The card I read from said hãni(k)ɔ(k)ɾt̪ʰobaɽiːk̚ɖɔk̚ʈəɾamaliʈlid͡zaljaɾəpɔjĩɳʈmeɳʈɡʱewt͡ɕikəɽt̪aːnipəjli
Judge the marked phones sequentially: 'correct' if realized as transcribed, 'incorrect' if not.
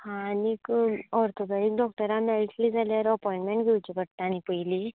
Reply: correct, incorrect

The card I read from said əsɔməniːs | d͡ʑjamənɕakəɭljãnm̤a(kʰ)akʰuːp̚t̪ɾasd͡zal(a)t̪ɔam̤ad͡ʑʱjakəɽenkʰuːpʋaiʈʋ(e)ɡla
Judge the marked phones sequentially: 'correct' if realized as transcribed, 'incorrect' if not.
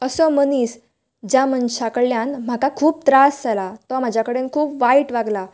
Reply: incorrect, correct, incorrect

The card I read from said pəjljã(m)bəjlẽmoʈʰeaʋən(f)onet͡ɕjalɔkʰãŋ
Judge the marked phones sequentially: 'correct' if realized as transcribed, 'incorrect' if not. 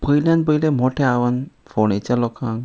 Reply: incorrect, correct

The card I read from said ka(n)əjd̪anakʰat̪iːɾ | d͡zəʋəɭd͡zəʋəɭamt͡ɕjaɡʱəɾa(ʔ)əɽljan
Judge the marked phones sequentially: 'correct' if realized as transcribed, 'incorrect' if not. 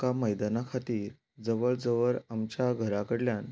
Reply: incorrect, incorrect

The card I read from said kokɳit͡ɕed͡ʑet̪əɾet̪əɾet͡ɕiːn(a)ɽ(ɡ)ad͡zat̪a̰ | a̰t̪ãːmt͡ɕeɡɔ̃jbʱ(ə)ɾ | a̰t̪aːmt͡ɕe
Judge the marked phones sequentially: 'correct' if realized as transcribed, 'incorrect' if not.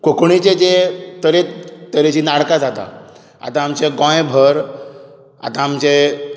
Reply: correct, incorrect, correct

